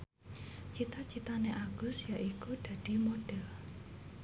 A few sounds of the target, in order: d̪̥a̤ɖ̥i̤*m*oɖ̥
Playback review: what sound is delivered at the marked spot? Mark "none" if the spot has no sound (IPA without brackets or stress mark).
m